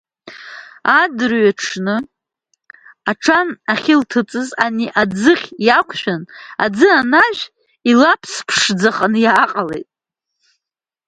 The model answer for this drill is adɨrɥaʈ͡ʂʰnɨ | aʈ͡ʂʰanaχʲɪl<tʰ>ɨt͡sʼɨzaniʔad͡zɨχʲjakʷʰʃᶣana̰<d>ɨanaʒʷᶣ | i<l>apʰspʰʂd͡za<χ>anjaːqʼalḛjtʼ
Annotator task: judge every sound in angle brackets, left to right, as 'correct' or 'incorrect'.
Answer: correct, incorrect, correct, correct

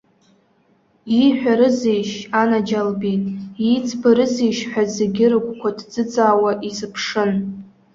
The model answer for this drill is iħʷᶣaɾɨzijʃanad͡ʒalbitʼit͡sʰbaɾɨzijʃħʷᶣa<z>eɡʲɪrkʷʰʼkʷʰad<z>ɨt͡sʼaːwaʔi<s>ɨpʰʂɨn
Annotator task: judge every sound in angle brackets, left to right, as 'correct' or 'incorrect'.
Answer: correct, incorrect, incorrect

